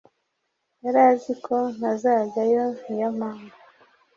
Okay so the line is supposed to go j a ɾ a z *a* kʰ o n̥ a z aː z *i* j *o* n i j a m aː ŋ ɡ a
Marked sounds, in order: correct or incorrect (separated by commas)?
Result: incorrect, incorrect, correct